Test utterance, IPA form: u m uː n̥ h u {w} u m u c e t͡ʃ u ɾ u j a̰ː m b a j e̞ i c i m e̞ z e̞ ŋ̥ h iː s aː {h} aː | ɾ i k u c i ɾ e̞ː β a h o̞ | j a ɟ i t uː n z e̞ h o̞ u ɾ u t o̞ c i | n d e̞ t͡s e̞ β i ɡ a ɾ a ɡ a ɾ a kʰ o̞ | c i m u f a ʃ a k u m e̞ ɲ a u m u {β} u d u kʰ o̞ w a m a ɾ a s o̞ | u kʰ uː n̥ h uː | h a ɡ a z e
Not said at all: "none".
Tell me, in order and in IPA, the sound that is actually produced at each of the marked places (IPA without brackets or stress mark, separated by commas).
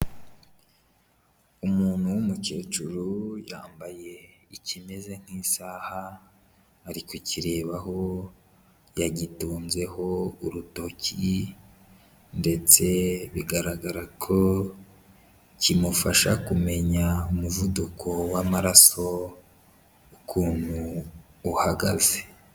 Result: w, h, v